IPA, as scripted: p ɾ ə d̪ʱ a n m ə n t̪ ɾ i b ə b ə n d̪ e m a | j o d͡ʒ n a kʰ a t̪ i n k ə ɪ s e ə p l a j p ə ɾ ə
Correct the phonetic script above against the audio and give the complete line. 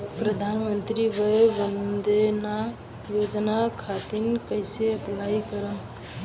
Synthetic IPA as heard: p ɾ ə d̪ʱ a n m ə n t̪ ɾ i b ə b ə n d̪ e n a | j o d͡ʒ n a kʰ a t̪ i n k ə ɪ s e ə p l a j k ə ɾ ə